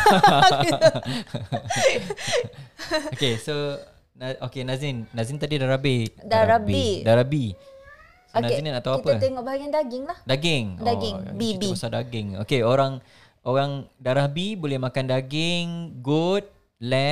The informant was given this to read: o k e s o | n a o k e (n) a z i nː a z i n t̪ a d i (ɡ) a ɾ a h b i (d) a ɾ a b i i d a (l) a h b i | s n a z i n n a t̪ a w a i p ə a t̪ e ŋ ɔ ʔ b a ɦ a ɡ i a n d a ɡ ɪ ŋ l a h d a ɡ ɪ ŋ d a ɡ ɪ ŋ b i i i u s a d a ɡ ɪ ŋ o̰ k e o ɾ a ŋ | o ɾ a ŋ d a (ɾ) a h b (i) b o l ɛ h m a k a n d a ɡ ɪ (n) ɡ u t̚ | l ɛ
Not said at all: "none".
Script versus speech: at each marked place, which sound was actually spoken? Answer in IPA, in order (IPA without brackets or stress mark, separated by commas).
n, d, d, ɾ, ɾ, i, ŋ